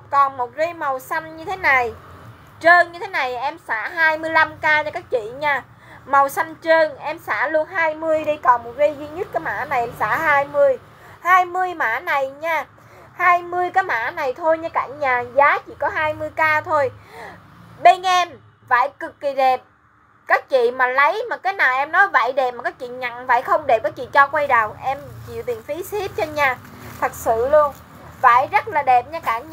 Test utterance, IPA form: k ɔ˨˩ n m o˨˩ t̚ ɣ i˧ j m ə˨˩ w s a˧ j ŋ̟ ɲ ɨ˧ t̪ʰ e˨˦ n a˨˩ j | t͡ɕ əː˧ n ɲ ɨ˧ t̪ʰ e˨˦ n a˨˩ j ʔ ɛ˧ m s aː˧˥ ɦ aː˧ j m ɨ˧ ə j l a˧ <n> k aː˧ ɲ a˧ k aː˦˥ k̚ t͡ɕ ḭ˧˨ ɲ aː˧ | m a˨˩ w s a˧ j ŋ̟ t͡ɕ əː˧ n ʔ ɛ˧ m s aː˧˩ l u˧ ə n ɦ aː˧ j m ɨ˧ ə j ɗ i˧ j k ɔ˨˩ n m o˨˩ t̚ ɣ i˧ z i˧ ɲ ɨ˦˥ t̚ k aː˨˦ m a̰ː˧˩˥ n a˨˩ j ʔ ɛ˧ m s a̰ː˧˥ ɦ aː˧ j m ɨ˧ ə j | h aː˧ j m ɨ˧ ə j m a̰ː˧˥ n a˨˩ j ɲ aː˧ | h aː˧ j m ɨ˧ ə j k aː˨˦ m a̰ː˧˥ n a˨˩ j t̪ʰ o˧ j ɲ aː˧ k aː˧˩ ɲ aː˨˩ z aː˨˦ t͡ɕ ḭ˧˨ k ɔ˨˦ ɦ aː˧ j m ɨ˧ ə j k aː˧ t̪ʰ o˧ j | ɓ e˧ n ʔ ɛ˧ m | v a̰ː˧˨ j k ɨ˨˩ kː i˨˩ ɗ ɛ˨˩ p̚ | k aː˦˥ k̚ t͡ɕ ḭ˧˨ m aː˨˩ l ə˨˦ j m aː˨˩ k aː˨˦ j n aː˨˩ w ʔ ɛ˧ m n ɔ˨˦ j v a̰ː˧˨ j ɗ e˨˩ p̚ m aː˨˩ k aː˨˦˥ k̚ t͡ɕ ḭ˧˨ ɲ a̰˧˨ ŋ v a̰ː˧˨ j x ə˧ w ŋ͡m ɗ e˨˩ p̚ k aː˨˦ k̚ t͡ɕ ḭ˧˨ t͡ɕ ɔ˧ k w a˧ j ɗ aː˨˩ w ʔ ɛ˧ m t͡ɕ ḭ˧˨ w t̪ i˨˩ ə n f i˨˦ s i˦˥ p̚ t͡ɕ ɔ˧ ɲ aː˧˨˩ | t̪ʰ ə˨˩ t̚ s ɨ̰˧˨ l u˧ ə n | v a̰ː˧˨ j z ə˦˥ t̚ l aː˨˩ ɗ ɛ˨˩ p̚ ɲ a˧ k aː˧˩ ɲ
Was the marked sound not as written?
yes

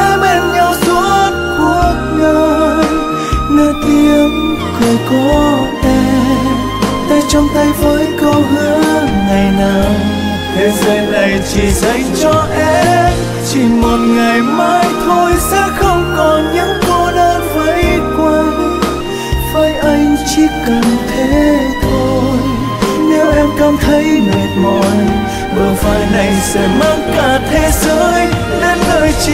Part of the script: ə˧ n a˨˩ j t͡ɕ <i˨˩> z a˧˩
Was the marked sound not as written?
no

